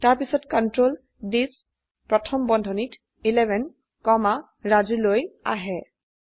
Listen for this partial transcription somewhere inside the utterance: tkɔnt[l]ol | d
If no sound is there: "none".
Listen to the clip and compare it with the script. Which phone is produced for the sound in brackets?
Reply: ɹ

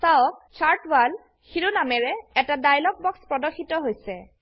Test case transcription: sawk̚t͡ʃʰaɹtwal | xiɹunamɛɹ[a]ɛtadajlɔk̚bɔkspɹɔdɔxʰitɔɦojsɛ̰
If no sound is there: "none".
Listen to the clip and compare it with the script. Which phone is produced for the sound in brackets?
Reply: ɛ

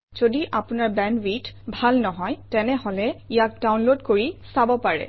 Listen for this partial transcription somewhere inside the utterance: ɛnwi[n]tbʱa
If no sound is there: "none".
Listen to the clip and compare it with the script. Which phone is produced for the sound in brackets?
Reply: none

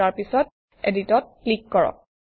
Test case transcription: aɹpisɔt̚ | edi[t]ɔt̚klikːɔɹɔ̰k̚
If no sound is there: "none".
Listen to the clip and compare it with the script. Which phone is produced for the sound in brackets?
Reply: t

